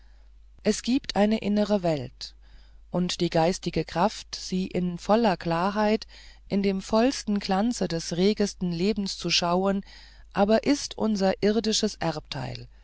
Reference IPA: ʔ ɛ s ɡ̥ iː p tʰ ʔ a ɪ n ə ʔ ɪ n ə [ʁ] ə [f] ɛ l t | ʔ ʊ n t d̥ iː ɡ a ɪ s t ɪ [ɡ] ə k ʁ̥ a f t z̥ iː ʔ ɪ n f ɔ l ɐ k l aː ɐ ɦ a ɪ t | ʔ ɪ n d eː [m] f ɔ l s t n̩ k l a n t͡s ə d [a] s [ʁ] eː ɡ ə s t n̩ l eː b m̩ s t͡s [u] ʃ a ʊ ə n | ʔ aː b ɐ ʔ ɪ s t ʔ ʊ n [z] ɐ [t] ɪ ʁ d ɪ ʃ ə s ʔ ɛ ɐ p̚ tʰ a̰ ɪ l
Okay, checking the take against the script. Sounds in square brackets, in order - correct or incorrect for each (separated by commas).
correct, incorrect, correct, correct, incorrect, correct, correct, correct, incorrect